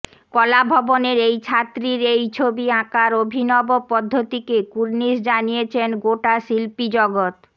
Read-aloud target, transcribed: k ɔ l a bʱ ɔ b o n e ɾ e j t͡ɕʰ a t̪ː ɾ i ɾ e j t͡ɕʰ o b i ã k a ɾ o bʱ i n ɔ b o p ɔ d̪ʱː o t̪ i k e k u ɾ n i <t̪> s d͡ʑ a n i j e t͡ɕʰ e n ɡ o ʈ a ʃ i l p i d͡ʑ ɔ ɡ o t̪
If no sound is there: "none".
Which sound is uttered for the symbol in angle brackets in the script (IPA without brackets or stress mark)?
none